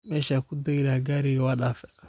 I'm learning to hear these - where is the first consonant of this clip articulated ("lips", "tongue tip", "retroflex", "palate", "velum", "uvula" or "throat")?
lips